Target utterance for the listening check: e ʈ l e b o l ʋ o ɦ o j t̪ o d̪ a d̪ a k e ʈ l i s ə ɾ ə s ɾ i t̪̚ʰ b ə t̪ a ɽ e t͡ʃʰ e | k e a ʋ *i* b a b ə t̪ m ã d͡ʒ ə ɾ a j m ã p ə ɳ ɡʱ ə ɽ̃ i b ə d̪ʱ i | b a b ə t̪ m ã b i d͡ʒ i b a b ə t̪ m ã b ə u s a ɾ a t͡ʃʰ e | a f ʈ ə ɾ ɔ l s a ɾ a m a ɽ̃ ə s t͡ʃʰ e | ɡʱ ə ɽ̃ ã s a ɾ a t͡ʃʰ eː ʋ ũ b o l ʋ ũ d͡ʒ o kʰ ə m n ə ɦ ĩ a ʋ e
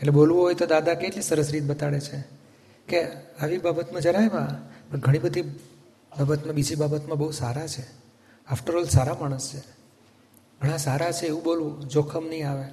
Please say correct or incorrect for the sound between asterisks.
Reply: correct